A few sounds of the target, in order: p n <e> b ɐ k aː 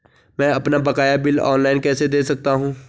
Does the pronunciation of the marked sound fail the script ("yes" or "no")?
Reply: yes